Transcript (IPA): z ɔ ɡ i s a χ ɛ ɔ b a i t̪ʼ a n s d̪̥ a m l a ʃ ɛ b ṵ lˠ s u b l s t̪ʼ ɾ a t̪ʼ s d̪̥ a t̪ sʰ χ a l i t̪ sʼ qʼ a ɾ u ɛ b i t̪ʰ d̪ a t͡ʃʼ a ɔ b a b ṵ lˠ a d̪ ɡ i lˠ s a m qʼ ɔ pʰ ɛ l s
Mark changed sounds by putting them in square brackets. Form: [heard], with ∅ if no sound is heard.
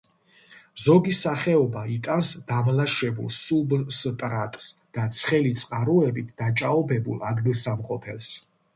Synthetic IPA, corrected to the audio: z ɔ ɡ i s a χ ɛ ɔ b a i t̪ʼ a n s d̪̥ a m l a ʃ ɛ b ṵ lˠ s u b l s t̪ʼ ɾ a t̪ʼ s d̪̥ a t̪ sʰ χ [ɛ] l i t̪ sʼ qʼ a ɾ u ɛ b i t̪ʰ d̪ a t͡ʃʼ a ɔ b [ɛ] b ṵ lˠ a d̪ ɡ i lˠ s a m qʼ ɔ pʰ ɛ l s